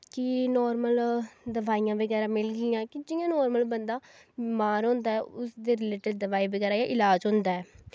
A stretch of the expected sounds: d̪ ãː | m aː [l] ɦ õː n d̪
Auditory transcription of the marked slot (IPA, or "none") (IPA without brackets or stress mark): ɾ